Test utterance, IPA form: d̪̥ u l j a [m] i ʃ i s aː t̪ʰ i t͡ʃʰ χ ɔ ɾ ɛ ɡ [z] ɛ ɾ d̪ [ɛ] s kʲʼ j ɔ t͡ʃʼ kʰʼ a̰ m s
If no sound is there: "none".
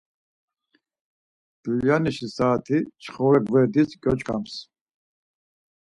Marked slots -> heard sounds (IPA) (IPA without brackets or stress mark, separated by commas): n, v, i